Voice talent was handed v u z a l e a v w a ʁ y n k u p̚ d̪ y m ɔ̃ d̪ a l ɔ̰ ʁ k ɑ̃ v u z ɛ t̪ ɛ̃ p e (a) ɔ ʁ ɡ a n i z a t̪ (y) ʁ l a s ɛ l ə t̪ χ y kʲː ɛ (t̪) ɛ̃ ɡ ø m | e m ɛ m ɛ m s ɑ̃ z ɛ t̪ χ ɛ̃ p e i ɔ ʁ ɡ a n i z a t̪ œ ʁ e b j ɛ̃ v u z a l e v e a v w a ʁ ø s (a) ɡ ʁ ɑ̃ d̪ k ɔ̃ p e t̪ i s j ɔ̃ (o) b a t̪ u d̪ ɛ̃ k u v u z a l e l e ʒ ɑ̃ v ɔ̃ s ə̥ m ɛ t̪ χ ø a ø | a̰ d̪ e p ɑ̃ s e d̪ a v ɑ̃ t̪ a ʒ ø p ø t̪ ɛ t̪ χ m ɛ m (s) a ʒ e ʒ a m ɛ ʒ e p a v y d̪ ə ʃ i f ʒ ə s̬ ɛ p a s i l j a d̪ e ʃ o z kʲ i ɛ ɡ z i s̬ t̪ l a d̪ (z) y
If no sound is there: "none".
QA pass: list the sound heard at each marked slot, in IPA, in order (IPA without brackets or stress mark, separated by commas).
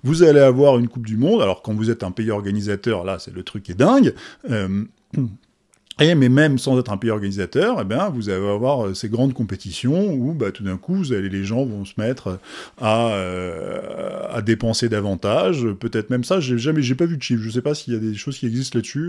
i, œ, d̪, e, u, s, s